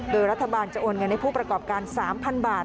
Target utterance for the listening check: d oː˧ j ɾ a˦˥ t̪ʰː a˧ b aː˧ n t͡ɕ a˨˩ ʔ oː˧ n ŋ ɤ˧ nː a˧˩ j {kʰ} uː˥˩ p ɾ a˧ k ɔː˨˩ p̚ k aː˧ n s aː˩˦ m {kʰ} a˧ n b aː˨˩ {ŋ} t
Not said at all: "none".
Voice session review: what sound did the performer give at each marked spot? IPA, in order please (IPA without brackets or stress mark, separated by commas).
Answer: pʰ, pʰ, none